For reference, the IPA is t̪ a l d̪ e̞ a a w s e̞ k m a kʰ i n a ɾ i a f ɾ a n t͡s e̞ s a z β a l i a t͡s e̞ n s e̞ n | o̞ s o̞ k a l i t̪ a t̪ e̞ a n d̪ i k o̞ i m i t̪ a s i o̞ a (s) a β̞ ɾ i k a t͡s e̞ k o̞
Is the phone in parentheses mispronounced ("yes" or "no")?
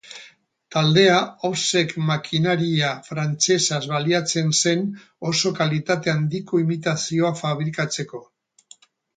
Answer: yes